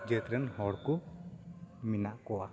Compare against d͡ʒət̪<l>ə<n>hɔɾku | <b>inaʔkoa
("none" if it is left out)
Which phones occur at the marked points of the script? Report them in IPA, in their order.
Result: ɾ, n, m

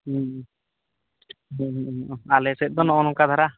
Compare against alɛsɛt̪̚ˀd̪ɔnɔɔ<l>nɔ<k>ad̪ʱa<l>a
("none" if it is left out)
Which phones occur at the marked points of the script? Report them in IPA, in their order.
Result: none, k, ɾ

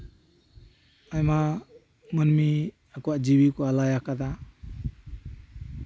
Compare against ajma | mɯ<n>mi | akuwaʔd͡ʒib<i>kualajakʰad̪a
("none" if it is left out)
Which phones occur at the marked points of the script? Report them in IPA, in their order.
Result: n, i

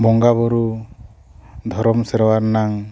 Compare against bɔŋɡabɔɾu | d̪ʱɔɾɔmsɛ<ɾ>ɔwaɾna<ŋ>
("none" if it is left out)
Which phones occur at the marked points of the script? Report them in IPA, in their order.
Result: ɾ, ŋ

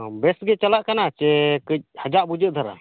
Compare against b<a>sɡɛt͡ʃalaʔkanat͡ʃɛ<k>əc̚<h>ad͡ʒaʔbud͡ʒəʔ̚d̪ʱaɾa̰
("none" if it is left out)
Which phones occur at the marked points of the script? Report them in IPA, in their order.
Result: ɛ, k, h

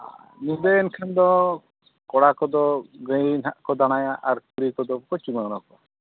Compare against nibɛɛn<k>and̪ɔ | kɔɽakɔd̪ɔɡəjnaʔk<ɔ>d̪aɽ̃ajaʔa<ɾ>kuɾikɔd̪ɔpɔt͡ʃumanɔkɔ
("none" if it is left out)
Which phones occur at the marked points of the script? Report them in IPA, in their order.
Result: kʰ, ɔ, ɾ

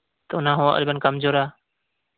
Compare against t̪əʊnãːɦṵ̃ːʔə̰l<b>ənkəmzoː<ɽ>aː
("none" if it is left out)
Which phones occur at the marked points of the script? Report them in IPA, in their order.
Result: b, ɾ

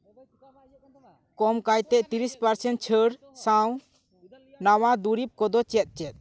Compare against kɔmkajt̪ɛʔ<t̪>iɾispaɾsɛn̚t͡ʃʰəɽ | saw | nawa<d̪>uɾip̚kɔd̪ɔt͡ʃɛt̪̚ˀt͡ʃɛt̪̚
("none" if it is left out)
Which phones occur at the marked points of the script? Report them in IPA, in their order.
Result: t̪, d̪

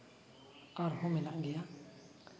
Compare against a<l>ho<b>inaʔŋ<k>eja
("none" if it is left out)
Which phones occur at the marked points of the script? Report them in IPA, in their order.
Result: ɾ, m, ɡ

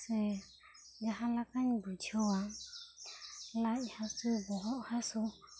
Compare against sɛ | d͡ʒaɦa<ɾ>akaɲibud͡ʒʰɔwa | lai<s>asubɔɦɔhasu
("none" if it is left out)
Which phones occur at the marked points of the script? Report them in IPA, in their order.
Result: l, h

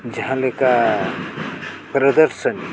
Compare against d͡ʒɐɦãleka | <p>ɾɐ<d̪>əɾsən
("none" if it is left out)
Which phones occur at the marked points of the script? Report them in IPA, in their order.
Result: p, d̪

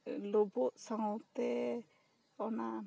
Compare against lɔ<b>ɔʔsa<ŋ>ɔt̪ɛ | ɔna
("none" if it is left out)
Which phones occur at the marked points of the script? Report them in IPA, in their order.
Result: b, ŋ

